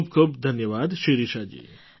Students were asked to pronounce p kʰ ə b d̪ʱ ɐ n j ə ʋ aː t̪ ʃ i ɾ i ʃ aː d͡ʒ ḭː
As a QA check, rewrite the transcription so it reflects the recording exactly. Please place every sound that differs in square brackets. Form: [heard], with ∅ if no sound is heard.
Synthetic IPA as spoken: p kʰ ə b d̪ʱ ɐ n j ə ʋ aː [d̪] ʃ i ɾ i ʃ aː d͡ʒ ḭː